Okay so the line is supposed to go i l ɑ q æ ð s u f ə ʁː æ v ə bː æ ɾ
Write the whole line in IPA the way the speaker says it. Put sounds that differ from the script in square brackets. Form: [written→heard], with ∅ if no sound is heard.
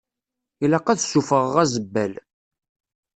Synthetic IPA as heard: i l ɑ q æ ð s u f ə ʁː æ [v→z] ə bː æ [ɾ→l]